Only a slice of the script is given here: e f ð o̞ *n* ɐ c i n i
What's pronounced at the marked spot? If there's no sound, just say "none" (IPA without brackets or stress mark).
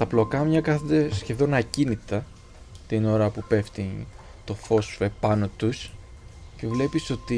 n